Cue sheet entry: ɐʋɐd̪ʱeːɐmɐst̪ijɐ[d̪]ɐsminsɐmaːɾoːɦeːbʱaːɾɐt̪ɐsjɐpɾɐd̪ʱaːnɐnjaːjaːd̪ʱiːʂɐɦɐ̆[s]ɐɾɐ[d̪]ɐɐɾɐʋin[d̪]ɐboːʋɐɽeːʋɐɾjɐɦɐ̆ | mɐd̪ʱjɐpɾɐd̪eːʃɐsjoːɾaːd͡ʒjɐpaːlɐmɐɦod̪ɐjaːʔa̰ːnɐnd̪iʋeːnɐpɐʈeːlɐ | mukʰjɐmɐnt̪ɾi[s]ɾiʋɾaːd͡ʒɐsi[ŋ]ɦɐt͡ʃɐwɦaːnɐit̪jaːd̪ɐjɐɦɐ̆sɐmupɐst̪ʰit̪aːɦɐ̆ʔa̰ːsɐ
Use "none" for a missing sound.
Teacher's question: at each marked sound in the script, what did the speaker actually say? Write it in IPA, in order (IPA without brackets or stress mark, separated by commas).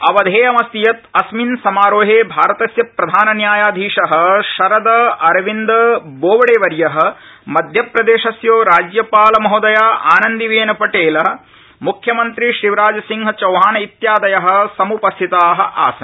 t̪, ʃ, d̪, d̪, ʃ, ŋ